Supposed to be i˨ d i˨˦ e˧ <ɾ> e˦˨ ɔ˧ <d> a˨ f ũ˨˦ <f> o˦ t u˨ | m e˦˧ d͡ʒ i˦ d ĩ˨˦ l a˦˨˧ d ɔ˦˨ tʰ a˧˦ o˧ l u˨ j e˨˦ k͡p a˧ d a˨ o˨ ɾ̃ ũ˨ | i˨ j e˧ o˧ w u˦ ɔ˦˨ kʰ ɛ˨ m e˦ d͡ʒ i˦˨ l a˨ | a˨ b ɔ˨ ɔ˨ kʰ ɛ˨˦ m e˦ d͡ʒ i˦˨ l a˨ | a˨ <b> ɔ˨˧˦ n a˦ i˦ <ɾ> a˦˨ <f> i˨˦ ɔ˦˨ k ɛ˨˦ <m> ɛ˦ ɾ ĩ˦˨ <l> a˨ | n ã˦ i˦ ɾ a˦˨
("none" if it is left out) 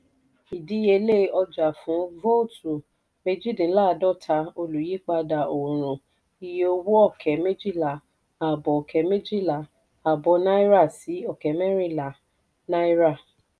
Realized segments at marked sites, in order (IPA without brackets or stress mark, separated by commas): l, d͡ʒ, v, b, ɾ, s, m, l